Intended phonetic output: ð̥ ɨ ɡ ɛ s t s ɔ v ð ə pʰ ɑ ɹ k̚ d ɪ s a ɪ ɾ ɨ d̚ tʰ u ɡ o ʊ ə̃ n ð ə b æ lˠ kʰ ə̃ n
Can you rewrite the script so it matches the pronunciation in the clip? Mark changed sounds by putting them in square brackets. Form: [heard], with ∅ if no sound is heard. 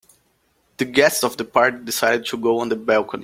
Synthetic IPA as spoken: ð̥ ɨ ɡ ɛ s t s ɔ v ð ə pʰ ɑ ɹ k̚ d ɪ s a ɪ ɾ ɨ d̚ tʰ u ɡ o ʊ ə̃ n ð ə b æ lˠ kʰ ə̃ n